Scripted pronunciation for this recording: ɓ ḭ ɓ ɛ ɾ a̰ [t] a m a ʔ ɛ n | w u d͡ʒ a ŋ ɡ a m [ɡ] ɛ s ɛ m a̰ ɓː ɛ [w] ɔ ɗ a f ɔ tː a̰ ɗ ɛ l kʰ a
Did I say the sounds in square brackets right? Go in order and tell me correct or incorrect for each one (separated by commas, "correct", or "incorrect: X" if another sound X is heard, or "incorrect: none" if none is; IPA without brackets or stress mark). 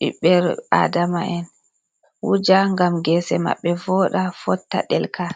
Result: incorrect: d, correct, incorrect: v